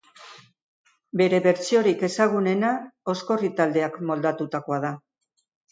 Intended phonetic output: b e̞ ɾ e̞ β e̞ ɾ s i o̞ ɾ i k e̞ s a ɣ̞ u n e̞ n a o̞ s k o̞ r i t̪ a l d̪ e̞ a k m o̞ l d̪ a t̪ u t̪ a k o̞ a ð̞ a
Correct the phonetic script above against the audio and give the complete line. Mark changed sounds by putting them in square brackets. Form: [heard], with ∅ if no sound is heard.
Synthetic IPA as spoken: b e̞ ɾ e̞ β e̞ ɾ [t͡s] i o̞ ɾ i k e̞ s a ɣ̞ u n e̞ n a o̞ s k o̞ r i t̪ a l d̪ e̞ a k m o̞ l d̪ a t̪ u t̪ a k o̞ a ð̞ a